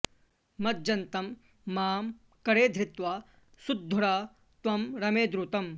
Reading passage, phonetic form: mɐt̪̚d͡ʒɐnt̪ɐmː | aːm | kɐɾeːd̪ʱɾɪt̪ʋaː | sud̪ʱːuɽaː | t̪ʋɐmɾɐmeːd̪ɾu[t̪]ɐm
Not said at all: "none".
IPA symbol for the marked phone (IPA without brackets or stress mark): t̪